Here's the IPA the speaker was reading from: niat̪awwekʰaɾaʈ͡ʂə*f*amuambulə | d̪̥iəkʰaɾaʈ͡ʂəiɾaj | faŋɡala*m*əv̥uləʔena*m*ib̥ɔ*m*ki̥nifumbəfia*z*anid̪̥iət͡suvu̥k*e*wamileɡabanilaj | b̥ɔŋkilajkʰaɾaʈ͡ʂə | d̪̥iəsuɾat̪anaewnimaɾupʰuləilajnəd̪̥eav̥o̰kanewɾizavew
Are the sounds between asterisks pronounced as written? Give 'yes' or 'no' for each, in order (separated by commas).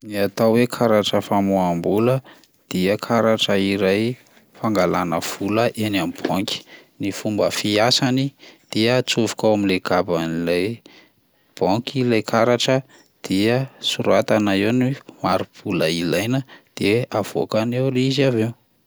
yes, no, yes, no, no, no